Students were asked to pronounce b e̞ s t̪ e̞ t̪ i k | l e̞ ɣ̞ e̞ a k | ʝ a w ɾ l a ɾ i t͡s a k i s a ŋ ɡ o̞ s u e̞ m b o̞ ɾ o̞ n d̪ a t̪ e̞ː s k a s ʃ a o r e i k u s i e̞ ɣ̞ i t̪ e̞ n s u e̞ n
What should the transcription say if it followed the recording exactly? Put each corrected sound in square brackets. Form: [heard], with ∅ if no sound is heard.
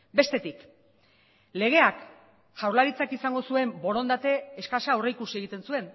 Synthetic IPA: b e̞ s t̪ e̞ t̪ i k | l e̞ ɣ̞ e̞ a k | ʝ a w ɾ l a ɾ i t͡s a k i s a ŋ ɡ o̞ s u e̞ m b o̞ ɾ o̞ n d̪ a t̪ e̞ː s k a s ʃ a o r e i k u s i e̞ ɣ̞ i t̪ e̞ n s u e̞ n